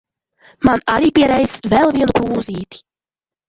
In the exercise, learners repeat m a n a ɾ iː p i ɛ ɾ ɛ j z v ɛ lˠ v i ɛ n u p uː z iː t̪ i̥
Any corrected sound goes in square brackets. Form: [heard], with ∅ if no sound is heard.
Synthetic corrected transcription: m a n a ɾ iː p i ɛ ɾ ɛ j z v ɛ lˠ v i ɛ n u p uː z iː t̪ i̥